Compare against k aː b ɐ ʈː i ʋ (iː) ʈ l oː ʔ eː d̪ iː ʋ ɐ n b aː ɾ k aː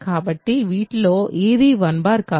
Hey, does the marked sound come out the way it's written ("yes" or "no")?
yes